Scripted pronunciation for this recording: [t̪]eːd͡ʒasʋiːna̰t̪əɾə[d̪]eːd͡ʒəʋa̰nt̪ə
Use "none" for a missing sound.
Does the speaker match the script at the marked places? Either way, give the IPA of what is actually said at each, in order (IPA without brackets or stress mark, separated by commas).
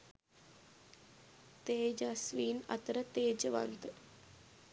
t̪, t̪